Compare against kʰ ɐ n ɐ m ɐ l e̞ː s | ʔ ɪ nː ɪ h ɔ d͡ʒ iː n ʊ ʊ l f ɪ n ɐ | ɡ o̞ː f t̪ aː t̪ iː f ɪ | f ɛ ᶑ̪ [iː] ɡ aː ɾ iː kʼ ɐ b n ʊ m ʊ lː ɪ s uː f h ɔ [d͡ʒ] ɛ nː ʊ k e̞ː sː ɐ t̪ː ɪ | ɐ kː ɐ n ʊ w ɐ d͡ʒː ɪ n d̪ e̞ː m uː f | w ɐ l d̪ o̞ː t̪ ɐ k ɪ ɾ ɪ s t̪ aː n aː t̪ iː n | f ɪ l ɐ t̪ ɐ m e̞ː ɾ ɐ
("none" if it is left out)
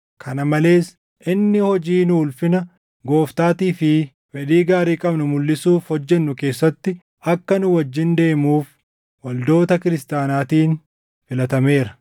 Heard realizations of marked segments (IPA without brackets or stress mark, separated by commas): iː, d͡ʒː